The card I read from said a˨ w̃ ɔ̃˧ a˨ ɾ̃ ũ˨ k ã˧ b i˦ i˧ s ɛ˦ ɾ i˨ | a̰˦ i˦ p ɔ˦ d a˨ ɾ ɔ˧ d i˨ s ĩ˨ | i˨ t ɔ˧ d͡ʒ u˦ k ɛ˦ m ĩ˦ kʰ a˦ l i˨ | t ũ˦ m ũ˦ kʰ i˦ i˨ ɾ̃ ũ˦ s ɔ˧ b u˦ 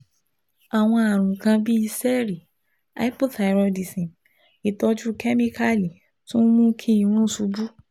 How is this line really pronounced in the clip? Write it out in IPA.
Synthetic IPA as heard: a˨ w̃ ɔ̃˧ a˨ ɾ̃ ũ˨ k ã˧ b i˦ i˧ s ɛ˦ ɾ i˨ | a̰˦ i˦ p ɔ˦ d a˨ ɾ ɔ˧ d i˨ s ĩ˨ | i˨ t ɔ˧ d͡ʒ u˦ k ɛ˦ m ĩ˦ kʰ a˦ l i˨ | t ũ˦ m ũ˦ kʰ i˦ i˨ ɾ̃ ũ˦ s u˧ b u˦